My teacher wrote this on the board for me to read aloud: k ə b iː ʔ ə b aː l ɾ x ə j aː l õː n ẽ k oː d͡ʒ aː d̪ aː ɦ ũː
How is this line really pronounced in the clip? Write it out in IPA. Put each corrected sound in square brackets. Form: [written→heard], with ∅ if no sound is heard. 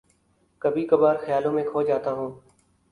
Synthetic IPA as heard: k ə b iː [ʔ→k] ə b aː [l→∅] ɾ x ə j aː l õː [n→m] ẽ [k→kʰ] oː d͡ʒ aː [d̪→t̪] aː ɦ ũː